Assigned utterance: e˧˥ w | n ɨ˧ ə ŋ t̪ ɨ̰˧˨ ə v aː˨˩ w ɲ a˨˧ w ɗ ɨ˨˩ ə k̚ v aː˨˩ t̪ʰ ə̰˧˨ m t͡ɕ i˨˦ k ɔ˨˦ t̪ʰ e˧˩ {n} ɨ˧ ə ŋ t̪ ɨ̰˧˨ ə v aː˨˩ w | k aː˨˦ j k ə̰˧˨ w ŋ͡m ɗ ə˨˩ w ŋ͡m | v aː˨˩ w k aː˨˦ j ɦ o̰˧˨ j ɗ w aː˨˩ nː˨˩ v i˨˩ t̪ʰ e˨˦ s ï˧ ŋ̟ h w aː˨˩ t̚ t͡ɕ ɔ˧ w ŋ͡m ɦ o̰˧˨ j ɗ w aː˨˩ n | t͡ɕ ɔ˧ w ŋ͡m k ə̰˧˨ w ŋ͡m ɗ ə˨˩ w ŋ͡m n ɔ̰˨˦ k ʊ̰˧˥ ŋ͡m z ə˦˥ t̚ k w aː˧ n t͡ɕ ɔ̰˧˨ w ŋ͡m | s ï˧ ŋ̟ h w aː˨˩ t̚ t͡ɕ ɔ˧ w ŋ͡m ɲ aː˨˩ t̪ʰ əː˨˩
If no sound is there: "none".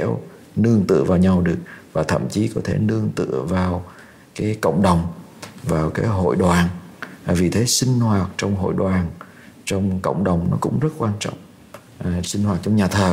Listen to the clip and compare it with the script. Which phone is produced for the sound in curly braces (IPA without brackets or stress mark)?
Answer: n